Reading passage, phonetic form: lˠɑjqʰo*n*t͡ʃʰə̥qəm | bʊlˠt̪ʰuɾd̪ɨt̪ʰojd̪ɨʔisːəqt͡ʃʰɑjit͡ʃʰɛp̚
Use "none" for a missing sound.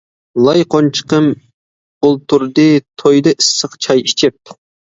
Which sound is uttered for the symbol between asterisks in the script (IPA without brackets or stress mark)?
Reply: n